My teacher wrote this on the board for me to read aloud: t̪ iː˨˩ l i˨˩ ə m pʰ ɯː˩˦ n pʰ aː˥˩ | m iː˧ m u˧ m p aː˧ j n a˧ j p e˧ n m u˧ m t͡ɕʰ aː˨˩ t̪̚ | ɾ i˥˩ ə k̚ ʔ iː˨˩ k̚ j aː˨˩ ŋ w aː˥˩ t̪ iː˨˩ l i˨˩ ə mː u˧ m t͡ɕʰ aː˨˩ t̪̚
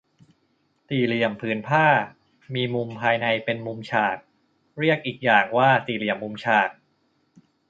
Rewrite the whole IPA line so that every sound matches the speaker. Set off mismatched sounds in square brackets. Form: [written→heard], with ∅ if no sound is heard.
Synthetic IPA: t̪ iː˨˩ l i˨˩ ə m pʰ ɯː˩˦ n pʰ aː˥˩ | m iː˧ m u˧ m [p→pʰ] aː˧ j n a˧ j p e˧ n m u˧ m t͡ɕʰ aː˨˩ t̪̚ | ɾ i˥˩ ə k̚ ʔ iː˨˩ k̚ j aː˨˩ ŋ w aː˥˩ t̪ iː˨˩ l i˨˩ ə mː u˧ m t͡ɕʰ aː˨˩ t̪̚